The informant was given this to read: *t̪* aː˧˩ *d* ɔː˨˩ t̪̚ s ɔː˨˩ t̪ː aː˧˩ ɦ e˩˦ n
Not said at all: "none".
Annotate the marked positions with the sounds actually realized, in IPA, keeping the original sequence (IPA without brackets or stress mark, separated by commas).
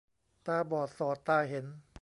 t̪, b